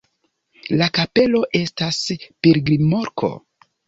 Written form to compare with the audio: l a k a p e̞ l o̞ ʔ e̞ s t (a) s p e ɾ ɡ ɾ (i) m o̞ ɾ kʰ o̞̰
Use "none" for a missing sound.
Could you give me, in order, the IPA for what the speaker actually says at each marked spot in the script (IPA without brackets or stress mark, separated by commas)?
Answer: a, i